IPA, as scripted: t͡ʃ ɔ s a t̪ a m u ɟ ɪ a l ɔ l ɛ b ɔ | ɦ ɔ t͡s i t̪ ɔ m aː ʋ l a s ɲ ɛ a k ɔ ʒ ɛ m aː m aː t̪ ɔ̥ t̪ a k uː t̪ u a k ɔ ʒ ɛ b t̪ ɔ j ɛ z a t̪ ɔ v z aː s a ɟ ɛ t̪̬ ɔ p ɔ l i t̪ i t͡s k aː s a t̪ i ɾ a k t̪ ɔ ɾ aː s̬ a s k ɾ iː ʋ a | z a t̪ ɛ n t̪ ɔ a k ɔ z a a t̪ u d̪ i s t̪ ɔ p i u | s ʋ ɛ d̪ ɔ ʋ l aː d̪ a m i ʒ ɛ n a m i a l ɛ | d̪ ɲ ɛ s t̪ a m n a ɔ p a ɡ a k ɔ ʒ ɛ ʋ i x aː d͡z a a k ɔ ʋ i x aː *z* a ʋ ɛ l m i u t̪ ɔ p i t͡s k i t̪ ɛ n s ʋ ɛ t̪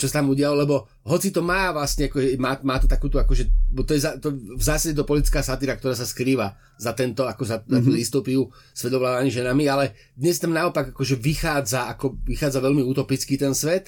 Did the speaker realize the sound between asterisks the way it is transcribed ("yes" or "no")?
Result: no